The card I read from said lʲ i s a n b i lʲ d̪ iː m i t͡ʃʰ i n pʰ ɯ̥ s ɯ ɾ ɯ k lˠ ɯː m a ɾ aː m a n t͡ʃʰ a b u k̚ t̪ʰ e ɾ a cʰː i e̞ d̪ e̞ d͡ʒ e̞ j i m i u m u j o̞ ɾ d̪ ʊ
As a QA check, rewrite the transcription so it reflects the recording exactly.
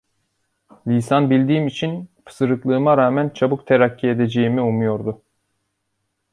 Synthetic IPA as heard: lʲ i s a n b i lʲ d̪ iː m i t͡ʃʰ i n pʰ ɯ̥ s ɯ ɾ ɯ k lˠ ɯː m a ɾ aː m æ n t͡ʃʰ a b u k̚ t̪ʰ e ɾ a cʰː i e̞ d̪ e̞ d͡ʒ e̞ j i m i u m u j o̞ ɾ d̪ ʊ